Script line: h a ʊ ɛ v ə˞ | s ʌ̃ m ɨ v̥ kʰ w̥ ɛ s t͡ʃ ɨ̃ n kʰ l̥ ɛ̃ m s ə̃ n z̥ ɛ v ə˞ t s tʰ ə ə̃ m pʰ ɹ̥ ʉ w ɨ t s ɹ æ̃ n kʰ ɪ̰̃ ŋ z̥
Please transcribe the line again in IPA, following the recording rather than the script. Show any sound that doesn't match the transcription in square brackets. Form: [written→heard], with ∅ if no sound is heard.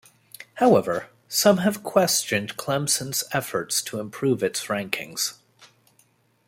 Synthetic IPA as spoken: h a ʊ ɛ v ə˞ | s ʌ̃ m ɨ v̥ kʰ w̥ ɛ s t͡ʃ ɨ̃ n kʰ l̥ ɛ̃ m s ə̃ n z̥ ɛ [v→f] ə˞ t s tʰ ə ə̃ m pʰ ɹ̥ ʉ [w→v] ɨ t s ɹ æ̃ [n→ŋ] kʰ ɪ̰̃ ŋ z̥